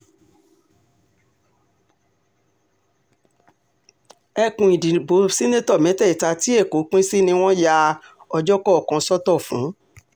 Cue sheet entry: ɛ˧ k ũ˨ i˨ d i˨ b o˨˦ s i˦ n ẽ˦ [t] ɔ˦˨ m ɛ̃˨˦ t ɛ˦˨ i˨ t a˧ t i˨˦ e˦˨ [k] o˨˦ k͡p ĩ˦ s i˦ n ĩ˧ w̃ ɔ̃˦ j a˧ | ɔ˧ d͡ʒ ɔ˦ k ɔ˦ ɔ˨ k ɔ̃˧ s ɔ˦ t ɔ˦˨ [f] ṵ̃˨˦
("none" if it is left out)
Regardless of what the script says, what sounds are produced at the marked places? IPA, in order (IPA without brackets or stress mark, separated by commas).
t, k, f